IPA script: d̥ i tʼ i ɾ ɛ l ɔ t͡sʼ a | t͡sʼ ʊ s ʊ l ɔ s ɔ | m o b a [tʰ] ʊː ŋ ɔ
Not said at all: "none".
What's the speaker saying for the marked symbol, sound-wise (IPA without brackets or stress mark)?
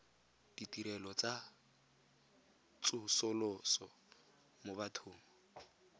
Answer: tʰ